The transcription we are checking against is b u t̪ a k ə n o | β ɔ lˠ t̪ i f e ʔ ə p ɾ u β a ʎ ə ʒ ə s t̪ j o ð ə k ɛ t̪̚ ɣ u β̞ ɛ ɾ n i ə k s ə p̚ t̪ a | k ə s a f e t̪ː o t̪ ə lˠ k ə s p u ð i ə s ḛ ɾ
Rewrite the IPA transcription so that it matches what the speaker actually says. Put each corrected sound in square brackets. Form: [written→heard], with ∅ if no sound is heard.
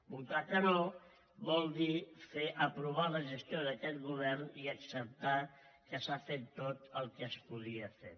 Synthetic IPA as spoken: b u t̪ a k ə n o | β ɔ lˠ [t̪→d̪] i f e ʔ ə p ɾ u β a [ʎ→l] ə ʒ ə s t̪ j o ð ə k ɛ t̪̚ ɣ u β̞ ɛ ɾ n i ə k s ə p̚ t̪ a | k ə s a f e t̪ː o t̪ ə lˠ k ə s p u ð i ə [s→f] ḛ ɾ